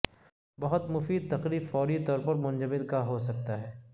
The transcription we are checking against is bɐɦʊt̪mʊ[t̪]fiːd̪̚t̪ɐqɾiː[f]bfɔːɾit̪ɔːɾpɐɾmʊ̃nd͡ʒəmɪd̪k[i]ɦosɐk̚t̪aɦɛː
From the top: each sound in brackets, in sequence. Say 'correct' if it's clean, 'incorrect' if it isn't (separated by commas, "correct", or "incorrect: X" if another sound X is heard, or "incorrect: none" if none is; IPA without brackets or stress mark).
incorrect: none, incorrect: none, incorrect: a